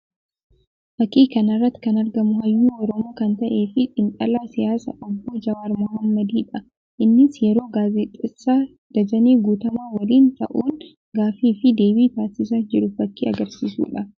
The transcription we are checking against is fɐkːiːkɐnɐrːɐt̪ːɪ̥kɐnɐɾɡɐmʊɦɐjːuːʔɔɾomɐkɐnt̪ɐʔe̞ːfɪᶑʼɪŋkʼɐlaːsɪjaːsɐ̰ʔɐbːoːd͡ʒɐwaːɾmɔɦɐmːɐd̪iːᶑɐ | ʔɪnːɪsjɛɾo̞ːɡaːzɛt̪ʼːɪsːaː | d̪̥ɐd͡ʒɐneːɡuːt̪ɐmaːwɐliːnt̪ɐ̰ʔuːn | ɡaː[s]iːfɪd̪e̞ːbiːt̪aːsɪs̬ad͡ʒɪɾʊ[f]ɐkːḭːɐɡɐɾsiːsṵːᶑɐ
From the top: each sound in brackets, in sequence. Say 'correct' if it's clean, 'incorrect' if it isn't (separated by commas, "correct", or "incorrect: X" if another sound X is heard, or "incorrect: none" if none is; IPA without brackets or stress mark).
incorrect: f, correct